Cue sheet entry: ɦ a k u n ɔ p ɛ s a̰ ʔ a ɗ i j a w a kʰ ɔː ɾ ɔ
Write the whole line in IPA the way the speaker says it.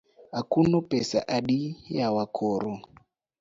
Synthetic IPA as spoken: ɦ a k u n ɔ p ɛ s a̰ ʔ a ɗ i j a w a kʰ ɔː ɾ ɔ